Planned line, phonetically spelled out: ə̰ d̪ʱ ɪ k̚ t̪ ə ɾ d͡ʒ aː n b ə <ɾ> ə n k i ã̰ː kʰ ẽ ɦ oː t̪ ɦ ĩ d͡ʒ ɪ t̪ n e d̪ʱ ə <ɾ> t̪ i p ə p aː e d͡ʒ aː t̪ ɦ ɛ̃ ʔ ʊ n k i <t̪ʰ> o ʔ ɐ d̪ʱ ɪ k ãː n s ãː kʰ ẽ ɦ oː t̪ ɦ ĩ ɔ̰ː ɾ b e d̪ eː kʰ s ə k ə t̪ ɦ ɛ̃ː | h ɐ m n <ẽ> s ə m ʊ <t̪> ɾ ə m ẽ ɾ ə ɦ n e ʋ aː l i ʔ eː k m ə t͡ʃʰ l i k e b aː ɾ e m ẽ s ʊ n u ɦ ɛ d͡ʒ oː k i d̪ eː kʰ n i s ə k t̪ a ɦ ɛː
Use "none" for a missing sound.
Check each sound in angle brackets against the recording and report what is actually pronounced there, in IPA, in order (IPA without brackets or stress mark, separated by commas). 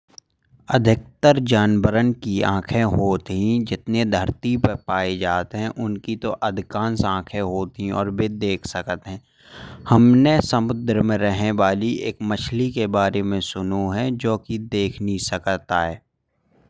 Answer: ɾ, ɾ, t̪, e, d̪